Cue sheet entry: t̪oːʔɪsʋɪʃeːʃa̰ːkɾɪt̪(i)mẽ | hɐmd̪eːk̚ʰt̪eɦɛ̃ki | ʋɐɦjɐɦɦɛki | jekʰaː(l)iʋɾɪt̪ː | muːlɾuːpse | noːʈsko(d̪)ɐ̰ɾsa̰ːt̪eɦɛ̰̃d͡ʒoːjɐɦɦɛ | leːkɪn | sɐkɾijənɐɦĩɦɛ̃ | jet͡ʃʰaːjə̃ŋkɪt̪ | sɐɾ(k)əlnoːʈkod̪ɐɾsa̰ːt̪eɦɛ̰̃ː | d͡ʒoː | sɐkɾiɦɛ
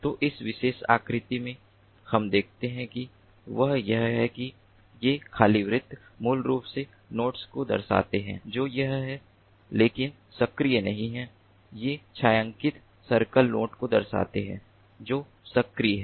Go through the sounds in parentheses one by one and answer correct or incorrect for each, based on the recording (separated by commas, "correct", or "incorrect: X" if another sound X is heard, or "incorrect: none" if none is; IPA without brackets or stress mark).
correct, correct, correct, correct